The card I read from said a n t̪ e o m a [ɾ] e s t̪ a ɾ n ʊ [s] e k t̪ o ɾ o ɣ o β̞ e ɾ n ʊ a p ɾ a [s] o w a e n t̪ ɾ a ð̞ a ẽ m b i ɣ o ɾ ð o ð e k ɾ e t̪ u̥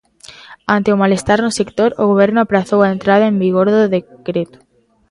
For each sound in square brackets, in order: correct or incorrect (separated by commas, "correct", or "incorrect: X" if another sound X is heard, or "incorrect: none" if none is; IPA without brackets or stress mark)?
incorrect: l, correct, incorrect: θ